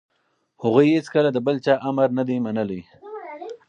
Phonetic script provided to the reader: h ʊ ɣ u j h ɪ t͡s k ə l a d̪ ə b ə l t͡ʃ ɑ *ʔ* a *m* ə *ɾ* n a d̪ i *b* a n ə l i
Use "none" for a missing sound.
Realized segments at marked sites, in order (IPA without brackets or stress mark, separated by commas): ʔ, m, ɾ, m